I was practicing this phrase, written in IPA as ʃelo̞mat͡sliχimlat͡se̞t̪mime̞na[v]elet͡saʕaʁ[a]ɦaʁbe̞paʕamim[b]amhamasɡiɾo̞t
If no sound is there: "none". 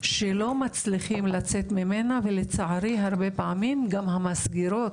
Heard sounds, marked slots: v, i, ɡ

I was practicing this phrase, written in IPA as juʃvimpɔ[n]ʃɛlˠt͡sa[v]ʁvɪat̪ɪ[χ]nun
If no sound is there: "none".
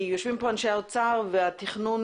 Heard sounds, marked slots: n, none, χ

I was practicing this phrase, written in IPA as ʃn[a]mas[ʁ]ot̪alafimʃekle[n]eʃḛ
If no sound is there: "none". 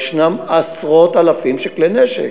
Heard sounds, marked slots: a, ʁ, n

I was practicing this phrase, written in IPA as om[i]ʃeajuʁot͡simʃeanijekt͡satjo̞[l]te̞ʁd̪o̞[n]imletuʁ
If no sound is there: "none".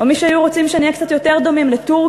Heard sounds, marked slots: i, none, m

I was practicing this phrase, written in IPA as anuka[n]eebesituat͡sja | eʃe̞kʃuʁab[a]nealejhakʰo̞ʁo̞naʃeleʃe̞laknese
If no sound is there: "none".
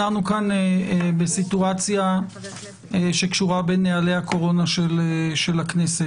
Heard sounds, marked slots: n, e

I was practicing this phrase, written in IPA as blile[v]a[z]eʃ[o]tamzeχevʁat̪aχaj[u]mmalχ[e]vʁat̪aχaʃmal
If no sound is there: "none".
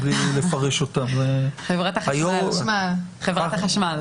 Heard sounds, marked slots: f, ʁ, o, o, e

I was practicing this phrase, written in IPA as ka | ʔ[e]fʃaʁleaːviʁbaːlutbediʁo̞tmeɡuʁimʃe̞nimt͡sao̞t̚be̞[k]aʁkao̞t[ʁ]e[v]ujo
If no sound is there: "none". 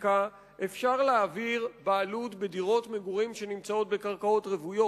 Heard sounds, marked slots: e, k, ʁ, v

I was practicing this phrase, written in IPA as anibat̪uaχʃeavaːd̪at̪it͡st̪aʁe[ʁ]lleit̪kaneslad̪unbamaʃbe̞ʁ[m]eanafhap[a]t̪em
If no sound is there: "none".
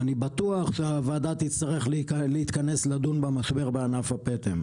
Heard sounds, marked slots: χ, b, e

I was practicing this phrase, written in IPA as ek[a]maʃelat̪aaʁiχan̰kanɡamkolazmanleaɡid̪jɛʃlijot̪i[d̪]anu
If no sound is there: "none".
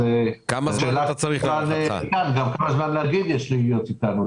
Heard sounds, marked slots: a, t̪

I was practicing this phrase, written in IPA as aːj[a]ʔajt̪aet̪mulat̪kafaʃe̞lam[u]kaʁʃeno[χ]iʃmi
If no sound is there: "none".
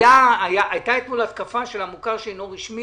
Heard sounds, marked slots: a, u, ʁ

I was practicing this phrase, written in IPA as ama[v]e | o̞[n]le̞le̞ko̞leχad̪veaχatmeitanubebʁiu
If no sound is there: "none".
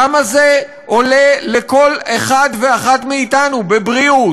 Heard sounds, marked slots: z, none

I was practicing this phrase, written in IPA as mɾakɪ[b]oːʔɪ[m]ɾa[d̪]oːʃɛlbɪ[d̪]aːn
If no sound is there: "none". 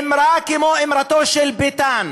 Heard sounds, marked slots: m, m, t̪, t̪

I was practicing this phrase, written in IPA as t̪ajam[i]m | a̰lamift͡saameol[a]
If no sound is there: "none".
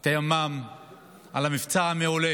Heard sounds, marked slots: a, e

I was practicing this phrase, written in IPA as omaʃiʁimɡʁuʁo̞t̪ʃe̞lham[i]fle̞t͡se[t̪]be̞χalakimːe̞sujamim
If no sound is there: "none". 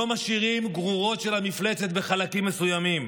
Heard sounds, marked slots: i, t̪

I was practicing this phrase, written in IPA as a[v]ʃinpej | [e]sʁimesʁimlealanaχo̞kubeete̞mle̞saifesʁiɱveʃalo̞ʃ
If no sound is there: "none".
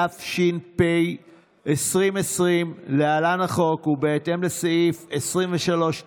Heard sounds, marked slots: f, e

